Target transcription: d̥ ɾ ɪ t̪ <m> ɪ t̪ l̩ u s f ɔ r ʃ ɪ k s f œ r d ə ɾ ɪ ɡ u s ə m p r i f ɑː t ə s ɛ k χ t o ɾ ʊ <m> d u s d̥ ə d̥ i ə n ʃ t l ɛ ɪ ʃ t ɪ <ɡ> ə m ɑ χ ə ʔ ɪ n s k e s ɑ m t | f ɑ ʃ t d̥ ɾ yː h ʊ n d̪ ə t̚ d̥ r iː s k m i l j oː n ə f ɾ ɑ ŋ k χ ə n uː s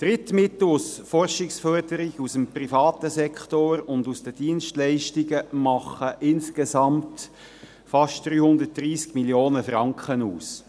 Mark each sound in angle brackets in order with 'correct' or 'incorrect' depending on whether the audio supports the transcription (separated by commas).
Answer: correct, incorrect, correct